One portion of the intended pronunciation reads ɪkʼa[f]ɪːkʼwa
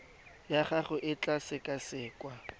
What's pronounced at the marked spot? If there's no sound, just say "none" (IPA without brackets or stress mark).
s